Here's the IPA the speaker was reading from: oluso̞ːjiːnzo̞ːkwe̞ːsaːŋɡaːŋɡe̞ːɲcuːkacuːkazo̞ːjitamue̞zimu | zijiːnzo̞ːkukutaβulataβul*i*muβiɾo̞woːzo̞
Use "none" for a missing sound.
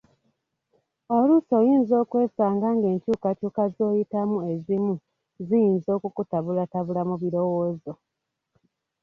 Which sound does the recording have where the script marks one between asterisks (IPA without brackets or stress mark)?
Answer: a